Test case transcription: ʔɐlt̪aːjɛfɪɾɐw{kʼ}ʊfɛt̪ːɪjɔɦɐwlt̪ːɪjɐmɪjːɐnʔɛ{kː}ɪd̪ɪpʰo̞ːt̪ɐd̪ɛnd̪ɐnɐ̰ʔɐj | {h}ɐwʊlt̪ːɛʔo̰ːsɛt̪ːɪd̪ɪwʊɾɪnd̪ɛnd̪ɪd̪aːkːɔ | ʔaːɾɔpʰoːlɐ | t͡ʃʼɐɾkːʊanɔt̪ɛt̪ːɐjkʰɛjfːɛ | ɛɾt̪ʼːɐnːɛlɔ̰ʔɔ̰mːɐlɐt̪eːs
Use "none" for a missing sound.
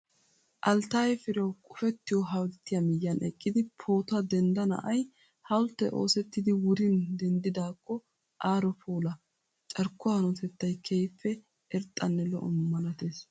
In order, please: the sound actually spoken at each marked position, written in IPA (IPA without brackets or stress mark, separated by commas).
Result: kʼ, kʼː, h